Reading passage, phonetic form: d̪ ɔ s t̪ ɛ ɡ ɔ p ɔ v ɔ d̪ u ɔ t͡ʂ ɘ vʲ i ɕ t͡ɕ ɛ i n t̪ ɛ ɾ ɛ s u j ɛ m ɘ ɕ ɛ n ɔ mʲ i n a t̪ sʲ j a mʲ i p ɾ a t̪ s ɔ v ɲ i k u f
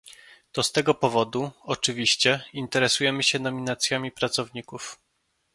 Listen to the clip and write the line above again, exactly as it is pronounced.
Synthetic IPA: t̪ ɔ s t̪ ɛ ɡ ɔ p ɔ v ɔ d̪ u ɔ t͡ʂ ɘ vʲ i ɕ t͡ɕ ɛ i n t̪ ɛ ɾ ɛ s u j ɛ m ɘ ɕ ɛ n ɔ mʲ i n a t̪ sʲ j a mʲ i p ɾ a t̪ s ɔ v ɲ i k u f